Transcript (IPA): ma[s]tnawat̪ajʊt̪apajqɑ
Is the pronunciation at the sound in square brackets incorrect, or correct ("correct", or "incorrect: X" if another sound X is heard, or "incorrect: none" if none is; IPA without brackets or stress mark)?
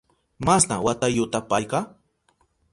correct